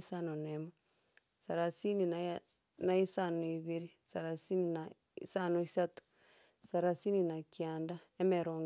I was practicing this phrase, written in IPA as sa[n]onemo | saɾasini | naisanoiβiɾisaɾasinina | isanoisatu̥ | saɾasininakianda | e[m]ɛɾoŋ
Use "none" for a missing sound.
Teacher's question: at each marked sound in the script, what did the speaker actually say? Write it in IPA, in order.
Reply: n, m

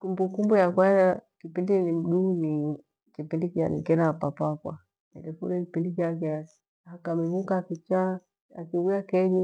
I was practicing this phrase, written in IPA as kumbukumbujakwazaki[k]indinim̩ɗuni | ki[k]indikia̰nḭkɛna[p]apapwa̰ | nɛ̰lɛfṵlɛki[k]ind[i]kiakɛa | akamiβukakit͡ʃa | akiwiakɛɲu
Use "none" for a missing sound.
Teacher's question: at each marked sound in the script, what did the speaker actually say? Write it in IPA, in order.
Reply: p, p, p, p, i

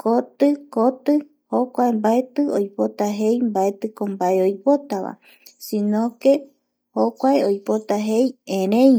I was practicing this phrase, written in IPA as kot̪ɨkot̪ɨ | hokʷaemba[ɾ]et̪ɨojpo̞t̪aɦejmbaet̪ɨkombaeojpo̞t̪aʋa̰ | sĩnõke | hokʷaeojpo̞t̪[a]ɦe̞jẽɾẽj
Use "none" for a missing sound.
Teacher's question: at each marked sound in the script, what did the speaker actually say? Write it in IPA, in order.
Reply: none, a

